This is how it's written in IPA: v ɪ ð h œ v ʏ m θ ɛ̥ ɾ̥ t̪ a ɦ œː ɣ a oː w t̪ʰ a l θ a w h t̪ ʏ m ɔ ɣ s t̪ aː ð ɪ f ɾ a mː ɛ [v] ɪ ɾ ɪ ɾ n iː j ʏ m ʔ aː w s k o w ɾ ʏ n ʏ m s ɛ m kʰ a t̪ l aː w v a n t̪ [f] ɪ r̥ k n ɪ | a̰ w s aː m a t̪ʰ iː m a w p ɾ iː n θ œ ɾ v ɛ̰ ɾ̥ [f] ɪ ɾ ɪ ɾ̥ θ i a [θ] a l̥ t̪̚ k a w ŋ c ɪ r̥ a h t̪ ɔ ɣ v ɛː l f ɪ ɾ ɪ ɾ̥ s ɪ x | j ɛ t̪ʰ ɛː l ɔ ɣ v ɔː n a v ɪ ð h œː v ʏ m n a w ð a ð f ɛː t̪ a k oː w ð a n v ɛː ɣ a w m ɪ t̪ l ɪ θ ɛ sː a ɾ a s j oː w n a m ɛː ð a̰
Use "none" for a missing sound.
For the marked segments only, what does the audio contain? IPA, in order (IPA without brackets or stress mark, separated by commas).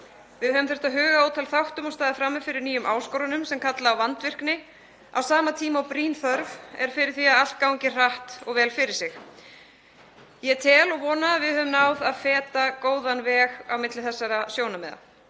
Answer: f, v, f, ð